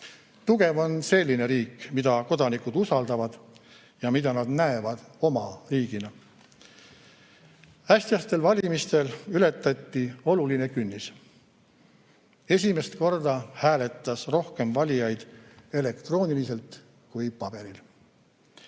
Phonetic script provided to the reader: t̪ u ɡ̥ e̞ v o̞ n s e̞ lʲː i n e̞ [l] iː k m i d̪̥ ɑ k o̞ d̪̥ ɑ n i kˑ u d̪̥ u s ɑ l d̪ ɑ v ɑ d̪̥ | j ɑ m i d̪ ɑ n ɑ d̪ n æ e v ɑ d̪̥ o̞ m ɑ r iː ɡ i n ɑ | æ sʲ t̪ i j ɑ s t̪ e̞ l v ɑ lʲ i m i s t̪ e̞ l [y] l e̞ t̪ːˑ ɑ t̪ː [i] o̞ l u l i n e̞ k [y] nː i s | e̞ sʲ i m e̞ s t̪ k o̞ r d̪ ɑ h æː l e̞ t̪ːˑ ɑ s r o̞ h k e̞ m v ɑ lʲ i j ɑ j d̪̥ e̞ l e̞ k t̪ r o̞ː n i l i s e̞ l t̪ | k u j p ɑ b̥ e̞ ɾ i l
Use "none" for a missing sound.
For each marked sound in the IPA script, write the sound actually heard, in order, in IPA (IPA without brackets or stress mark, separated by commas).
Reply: ɾ, y, i, y